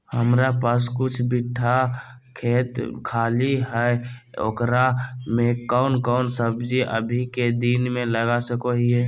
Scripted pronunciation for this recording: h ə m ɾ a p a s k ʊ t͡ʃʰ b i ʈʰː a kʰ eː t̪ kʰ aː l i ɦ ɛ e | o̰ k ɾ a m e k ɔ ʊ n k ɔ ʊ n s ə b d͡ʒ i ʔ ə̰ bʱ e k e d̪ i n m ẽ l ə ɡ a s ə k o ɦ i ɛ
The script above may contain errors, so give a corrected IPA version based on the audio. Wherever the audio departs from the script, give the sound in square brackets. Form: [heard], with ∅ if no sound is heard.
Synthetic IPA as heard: h ə m ɾ a p a s k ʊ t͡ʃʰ b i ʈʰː a kʰ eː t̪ kʰ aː l i ɦ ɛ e | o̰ k ɾ a m e k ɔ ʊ n k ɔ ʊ n s ə b d͡ʒ i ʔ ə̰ bʱ [i] k e d̪ i n m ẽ l ə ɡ a s ə k o ɦ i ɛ